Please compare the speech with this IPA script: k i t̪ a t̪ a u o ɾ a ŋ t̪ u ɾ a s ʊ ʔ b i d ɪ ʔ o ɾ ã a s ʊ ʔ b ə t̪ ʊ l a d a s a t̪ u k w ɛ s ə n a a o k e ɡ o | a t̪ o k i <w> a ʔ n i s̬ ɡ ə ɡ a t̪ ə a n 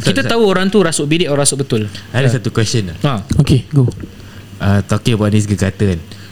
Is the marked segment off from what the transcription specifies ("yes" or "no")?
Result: yes